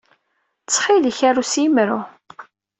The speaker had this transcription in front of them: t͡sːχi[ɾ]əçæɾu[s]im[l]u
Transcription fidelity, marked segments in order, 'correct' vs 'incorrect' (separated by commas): incorrect, correct, incorrect